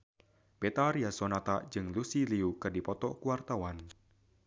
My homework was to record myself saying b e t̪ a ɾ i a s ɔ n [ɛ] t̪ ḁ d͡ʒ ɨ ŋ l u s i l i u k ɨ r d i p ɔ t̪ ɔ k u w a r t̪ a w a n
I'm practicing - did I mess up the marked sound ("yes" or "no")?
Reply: yes